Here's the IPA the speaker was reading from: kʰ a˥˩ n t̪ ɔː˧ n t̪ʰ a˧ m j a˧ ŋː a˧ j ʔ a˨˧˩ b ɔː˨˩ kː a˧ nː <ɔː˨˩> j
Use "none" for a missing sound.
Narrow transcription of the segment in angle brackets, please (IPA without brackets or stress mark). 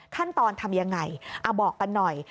ɔ˨˩